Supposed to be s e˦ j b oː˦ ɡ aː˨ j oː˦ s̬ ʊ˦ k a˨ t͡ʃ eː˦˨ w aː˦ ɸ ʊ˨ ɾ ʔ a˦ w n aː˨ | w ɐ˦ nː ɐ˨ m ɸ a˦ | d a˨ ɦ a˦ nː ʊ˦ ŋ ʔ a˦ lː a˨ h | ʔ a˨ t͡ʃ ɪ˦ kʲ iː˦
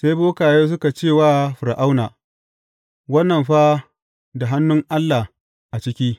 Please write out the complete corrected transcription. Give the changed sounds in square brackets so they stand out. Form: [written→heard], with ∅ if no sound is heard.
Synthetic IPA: s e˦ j b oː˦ [ɡ→k] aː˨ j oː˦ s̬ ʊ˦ k a˨ t͡ʃ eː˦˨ w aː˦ ɸ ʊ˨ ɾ ʔ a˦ w n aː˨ | w ɐ˦ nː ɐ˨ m ɸ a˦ | d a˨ ɦ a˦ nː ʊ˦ ŋ ʔ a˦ lː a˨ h | ʔ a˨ t͡ʃ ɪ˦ kʲ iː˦

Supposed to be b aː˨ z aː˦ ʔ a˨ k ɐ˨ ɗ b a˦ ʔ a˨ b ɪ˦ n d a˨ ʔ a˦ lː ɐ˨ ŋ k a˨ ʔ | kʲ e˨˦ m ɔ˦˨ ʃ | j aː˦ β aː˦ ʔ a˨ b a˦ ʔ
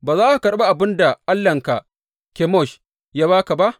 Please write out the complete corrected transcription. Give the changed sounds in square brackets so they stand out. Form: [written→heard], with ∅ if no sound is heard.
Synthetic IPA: b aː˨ z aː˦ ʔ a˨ k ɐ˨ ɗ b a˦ ʔ a˨ b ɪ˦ n d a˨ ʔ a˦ lː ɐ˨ ŋ k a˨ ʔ | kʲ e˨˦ m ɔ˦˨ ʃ | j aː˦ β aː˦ [ʔ→k] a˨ b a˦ ʔ

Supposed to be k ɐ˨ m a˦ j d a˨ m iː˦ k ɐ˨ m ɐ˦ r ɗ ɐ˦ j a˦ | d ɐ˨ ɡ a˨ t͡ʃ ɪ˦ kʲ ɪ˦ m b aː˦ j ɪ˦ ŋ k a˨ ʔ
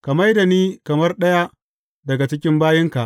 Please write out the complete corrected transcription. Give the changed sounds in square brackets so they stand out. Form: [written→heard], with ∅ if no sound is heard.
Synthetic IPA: k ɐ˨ m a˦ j d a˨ [m→n] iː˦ k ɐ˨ m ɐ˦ r ɗ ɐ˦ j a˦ | d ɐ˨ ɡ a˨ t͡ʃ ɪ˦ kʲ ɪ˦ m b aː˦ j ɪ˦ ŋ k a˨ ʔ

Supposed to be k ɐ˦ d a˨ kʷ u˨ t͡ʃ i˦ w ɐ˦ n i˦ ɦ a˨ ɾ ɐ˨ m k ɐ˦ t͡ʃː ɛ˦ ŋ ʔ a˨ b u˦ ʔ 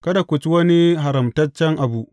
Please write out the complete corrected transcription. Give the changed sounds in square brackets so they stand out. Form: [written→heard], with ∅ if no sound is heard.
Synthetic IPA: k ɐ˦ d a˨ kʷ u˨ t͡ʃ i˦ w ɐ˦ n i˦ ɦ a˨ ɾ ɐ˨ m [k→t] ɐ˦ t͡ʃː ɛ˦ ŋ ʔ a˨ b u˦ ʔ

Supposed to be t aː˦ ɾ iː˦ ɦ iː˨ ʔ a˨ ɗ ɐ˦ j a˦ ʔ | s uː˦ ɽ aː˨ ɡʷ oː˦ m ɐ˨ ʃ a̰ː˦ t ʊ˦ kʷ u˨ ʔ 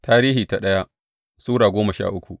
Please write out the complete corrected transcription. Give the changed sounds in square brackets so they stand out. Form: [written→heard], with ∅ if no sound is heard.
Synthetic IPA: t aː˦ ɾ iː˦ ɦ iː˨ [ʔ→t] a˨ ɗ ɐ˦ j a˦ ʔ | s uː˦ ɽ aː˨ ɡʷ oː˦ m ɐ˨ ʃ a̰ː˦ [t→ʔ] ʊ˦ kʷ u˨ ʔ

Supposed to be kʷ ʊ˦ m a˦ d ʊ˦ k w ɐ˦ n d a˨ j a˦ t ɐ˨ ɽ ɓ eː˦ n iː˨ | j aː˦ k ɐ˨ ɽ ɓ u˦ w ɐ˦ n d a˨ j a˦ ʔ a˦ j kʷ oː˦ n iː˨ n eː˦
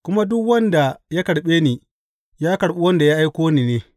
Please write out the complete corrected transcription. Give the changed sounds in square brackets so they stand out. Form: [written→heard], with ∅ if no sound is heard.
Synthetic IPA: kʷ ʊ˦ m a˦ d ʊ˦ k w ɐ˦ n d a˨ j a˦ [t→k] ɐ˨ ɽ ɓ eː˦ n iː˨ | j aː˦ k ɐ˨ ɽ ɓ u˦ w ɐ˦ n d a˨ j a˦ ʔ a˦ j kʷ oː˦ n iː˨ n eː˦

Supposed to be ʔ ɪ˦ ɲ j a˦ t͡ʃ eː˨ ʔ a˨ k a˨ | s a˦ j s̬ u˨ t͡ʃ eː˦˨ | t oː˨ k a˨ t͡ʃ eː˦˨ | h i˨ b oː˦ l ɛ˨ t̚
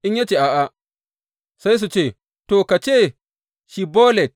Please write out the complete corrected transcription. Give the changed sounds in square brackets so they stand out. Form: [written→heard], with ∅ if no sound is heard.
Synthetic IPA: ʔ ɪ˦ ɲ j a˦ t͡ʃ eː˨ ʔ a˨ [k→ʔ] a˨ | s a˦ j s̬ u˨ t͡ʃ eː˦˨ | t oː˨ k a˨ t͡ʃ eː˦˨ | [h→ʃ] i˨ b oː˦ l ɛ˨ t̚

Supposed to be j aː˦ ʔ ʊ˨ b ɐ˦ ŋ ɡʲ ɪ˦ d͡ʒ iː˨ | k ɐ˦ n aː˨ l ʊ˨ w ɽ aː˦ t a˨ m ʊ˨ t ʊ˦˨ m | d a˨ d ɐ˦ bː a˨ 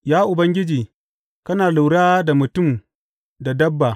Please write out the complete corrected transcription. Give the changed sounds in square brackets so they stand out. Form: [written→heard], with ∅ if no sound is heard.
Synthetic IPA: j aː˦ ʔ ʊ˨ b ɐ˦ ŋ ɡʲ ɪ˦ d͡ʒ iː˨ | k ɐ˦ n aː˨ l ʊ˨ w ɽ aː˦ [t→d] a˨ m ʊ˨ t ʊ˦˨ m | d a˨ d ɐ˦ bː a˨

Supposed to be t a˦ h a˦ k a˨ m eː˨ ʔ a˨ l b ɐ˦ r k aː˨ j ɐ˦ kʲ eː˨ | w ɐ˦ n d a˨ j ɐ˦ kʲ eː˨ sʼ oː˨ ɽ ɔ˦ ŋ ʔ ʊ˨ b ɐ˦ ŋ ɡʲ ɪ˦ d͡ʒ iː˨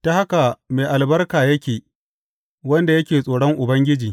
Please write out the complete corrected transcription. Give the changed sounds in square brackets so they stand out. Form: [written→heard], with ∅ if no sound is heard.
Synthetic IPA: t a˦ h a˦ k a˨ m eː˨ ʔ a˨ l b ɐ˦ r k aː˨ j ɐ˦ kʲ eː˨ | w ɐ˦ n d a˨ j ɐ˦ kʲ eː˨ sʼ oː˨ ɽ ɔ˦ ŋ ʔ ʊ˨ b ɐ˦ ŋ ɡʲ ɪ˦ d͡ʒ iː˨

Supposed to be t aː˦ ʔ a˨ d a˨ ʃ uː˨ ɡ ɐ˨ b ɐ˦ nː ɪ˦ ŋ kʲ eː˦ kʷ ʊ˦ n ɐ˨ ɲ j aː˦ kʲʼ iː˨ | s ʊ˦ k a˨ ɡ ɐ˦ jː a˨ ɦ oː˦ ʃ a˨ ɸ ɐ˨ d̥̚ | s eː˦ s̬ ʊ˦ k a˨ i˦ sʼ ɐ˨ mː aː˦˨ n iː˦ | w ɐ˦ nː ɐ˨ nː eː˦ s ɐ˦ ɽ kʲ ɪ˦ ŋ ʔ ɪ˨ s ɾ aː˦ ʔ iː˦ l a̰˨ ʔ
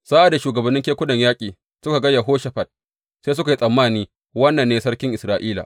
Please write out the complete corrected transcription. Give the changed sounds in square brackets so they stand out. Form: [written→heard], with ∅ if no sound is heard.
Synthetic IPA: [t→s] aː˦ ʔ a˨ d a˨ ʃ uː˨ ɡ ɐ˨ b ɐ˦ nː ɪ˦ ŋ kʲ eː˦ kʷ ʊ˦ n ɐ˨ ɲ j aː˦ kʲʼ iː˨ | s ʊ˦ k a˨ ɡ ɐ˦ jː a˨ ɦ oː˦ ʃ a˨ ɸ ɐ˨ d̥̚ | s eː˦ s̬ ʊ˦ k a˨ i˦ sʼ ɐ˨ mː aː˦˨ n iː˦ | w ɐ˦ nː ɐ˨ nː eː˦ s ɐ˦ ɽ kʲ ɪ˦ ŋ ʔ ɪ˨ s ɾ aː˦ ʔ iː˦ l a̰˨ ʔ

